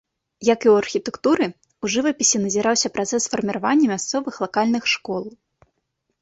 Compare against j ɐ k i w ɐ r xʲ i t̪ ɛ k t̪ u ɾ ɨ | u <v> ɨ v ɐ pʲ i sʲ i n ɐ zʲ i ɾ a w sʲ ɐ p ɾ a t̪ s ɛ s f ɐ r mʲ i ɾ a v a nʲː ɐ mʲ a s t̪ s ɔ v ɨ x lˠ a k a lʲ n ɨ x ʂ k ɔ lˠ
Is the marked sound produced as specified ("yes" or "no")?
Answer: no